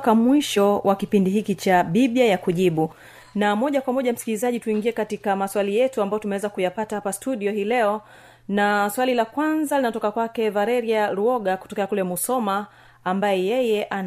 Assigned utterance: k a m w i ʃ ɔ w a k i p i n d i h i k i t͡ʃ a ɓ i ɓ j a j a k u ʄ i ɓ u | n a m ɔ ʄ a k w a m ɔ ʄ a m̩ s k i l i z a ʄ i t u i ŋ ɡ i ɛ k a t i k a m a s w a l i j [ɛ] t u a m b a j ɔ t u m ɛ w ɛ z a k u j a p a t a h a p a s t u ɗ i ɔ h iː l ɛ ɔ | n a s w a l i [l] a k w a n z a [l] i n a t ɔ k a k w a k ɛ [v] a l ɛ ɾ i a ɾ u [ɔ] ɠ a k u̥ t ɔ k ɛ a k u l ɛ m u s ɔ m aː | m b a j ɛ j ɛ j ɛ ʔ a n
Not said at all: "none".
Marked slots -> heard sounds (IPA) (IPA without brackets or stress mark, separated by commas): ɛ, l, l, v, ɔ